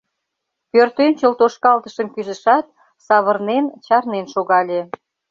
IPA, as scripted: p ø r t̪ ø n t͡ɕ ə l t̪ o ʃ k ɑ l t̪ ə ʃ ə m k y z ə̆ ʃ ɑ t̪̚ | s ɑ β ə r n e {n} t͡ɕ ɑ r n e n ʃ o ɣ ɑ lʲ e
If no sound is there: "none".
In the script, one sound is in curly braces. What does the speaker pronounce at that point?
n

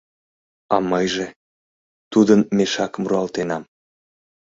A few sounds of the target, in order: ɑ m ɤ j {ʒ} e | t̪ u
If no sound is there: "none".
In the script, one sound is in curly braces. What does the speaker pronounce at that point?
ʒ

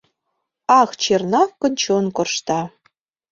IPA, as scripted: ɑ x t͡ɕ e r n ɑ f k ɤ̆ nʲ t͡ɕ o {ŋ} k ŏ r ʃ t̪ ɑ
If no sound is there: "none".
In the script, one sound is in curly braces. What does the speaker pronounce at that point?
n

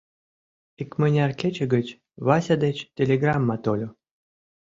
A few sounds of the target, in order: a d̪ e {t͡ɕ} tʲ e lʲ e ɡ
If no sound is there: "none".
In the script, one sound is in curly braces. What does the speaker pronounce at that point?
t͡ɕ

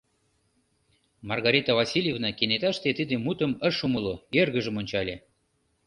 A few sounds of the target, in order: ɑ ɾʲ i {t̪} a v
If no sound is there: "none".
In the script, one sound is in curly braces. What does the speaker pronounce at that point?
t̪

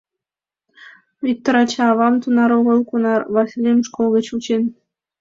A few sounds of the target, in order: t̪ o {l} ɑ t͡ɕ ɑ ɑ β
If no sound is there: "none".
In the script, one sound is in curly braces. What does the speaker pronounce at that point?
ɾ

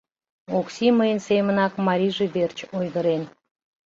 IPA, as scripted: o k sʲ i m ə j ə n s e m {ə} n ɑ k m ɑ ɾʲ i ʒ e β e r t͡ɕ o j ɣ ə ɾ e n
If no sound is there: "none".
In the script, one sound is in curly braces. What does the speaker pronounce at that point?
ə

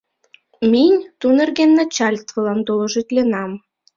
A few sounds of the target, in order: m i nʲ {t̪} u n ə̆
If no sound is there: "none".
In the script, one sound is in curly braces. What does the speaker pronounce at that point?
t̪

